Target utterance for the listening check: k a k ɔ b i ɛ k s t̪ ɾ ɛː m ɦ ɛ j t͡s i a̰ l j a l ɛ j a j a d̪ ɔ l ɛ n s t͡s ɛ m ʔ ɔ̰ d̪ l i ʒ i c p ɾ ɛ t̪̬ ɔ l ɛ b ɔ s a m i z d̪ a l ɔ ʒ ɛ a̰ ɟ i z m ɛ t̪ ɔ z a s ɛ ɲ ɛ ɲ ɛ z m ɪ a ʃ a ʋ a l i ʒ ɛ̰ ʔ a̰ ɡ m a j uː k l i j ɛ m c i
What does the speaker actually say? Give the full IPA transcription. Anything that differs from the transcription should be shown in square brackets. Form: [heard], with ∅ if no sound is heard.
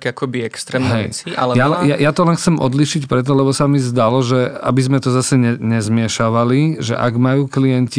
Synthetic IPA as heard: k a k ɔ b i ɛ k s t̪ ɾ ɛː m ɦ ɛ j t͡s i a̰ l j a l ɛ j a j a [t̪] ɔ l ɛ n [x] t͡s ɛ m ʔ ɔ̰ d̪ l i [ʃ] i c p ɾ ɛ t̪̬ ɔ l ɛ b ɔ s a m i z d̪ a l ɔ ʒ ɛ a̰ [b] i z m ɛ t̪ ɔ z a s ɛ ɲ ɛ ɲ ɛ z m ɪ [ɛ] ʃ a ʋ a l i ʒ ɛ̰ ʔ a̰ ɡ m a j uː k l i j ɛ [n] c i